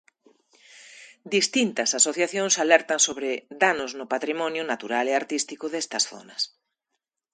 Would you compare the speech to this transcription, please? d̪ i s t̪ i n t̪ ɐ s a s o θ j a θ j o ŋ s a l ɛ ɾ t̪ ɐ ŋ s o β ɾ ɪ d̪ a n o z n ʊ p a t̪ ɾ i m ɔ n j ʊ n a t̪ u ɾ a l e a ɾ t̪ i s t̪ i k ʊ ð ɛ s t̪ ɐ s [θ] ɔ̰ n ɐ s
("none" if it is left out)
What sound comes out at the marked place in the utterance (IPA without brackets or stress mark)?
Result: θ